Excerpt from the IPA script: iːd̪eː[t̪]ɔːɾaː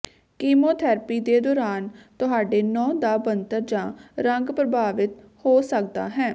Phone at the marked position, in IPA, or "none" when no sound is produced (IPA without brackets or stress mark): d̪